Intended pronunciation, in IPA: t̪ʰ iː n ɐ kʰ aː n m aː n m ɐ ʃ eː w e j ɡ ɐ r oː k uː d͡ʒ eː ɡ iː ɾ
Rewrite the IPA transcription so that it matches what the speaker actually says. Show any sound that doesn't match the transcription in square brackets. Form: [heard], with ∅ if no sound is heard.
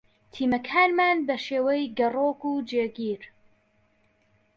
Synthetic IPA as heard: t̪ʰ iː [m] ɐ kʰ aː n m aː n [b] ɐ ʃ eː w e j ɡ ɐ r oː k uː d͡ʒ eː ɡ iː ɾ